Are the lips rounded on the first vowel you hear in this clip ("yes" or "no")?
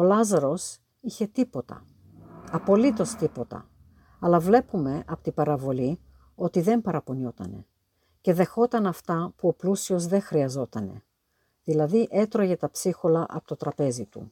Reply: yes